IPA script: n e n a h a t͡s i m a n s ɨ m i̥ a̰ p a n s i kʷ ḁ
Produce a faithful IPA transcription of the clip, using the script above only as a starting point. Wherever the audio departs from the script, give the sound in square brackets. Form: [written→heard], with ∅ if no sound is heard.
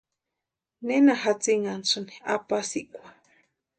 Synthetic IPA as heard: n e n a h a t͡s i [m→ŋ] a n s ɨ [m→n] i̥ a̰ p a [n→∅] s i kʷ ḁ